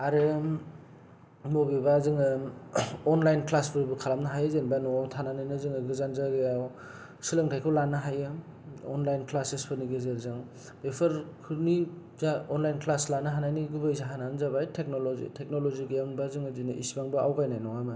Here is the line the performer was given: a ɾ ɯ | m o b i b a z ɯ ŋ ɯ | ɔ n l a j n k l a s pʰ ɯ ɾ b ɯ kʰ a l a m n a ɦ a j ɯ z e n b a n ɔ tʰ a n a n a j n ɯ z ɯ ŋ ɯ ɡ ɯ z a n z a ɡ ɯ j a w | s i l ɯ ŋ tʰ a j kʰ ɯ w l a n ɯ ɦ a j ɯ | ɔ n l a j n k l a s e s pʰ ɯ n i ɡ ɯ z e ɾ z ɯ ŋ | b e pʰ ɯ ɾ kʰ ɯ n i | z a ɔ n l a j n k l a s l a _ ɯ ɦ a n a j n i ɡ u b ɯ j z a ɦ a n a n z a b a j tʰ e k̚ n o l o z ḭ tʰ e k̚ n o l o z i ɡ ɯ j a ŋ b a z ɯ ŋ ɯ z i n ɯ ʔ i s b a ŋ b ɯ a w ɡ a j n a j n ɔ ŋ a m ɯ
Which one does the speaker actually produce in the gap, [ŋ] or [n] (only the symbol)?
n